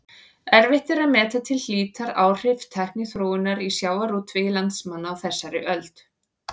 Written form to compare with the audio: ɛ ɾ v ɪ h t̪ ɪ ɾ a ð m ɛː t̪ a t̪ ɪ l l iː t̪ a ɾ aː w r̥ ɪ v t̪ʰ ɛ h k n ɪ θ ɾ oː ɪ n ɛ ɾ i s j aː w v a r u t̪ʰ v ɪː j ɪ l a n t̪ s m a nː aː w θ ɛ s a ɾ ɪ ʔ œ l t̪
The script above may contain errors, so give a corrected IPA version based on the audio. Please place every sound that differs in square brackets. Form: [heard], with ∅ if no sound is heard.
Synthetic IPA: ɛ ɾ v ɪ h t̪ ɪ ɾ a ð m ɛː t̪ a [t̪ʰ] ɪ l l iː t̪ a ɾ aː w r̥ ɪ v t̪ʰ ɛ h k n ɪ θ ɾ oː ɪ n [a] ɾ i s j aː w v a [ɾ] u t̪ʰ v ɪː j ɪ l a n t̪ s m a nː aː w θ ɛ [sː] a ɾ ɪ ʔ œ l t̪